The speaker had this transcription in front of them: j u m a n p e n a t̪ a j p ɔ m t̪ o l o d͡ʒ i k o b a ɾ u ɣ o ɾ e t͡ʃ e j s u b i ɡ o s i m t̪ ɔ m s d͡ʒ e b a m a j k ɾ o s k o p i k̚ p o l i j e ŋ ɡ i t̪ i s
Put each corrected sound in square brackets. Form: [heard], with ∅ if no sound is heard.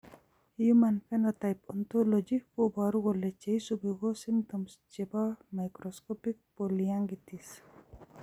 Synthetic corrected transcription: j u m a n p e n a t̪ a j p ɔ [n] t̪ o l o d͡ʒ i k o b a ɾ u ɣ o [l] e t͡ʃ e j s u b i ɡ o s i m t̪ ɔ m s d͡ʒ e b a m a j k ɾ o s k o p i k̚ p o l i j [a] ŋ ɡ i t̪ i s